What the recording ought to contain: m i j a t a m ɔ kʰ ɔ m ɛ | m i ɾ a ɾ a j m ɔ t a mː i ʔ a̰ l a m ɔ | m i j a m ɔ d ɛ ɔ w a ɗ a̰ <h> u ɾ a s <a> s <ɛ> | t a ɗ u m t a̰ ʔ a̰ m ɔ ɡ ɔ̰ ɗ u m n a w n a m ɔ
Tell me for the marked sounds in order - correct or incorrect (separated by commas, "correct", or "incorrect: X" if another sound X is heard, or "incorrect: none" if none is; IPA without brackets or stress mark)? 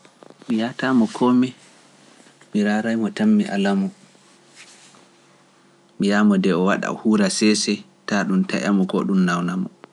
correct, incorrect: ɛ, correct